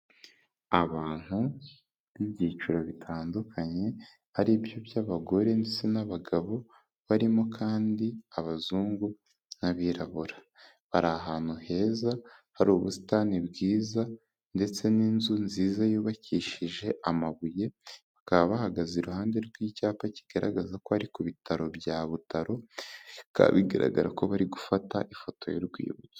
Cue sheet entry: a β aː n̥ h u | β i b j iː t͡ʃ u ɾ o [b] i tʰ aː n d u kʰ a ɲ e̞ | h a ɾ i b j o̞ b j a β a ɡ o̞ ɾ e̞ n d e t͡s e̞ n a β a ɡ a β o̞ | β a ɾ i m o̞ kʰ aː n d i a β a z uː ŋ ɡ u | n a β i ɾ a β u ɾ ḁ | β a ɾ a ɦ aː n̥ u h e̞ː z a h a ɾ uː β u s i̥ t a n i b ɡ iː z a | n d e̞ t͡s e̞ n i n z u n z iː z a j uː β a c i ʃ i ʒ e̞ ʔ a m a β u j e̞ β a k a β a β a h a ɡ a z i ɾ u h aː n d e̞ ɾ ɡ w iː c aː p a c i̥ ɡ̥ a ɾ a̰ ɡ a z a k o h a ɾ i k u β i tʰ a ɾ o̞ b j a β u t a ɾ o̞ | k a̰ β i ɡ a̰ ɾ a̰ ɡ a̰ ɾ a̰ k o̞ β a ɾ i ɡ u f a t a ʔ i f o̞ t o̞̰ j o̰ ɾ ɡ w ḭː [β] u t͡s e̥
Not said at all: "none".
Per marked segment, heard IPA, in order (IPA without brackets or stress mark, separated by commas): β, β